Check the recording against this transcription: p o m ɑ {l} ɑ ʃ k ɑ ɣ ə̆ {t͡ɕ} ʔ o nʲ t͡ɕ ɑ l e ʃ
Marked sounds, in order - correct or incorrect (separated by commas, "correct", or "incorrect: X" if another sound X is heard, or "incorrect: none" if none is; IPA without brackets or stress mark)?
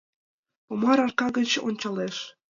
incorrect: ɾ, correct